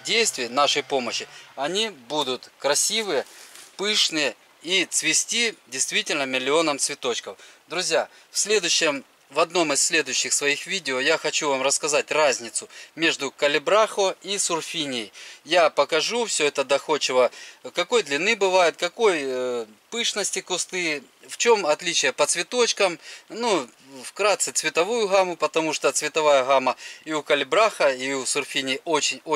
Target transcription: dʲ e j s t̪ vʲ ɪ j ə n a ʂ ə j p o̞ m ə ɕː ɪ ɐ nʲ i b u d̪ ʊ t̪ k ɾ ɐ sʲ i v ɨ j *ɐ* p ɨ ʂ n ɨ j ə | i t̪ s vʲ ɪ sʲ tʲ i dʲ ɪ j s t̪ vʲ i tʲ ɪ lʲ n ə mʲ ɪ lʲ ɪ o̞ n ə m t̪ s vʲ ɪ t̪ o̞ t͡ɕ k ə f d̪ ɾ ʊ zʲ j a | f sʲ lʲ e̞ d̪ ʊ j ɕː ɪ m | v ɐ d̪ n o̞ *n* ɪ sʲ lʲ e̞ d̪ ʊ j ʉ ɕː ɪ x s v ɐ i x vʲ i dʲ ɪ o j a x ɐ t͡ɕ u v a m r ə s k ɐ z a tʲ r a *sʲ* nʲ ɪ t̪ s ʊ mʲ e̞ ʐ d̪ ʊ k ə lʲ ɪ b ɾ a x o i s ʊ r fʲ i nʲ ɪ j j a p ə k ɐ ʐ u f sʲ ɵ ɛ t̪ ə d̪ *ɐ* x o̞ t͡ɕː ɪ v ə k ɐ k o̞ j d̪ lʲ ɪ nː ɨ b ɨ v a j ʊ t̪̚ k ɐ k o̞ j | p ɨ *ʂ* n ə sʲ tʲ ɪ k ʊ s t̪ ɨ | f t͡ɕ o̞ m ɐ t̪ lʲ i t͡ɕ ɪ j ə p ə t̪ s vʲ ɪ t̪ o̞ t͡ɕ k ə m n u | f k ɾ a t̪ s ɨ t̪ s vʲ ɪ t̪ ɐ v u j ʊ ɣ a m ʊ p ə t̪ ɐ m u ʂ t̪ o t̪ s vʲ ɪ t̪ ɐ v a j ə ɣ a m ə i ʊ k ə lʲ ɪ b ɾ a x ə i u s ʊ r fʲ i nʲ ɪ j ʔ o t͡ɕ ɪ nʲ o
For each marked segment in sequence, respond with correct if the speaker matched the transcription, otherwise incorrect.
incorrect: ə, incorrect: m, incorrect: zʲ, correct, correct

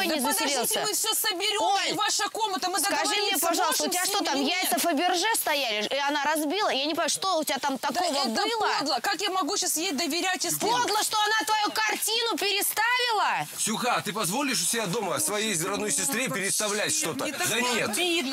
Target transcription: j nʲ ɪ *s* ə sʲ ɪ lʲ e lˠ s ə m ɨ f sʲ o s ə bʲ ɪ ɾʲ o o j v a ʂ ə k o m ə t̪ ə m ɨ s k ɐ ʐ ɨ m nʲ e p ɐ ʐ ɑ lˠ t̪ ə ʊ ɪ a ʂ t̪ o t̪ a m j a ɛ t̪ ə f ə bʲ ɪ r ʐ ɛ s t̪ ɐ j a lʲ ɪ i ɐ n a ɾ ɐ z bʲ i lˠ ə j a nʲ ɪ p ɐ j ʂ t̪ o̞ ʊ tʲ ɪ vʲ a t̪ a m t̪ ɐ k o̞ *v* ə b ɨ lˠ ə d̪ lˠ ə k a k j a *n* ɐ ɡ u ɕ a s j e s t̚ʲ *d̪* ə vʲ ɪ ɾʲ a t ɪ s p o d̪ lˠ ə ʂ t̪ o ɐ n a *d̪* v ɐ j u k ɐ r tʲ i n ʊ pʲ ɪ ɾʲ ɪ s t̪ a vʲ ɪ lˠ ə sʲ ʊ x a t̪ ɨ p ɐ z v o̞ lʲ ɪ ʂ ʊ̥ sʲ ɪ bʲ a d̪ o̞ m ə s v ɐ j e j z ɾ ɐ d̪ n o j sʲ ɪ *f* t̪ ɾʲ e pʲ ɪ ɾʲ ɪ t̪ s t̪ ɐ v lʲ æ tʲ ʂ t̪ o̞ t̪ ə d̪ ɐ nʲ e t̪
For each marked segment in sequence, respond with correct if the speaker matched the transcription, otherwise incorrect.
incorrect: z, correct, incorrect: m, correct, incorrect: t̪, incorrect: s

